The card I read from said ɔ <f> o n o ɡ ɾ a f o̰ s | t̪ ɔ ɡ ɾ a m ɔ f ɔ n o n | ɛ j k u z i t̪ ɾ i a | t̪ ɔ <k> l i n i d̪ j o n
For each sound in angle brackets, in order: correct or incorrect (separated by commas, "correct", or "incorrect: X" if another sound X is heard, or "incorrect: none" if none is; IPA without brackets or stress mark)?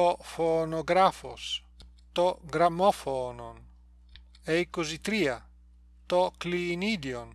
correct, correct